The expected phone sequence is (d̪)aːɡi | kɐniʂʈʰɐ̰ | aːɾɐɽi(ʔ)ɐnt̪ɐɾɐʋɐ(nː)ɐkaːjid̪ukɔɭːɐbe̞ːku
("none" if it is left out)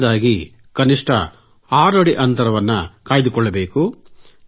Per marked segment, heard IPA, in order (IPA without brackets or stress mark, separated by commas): d̪, ʔ, nː